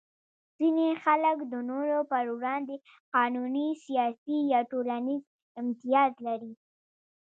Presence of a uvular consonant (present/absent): present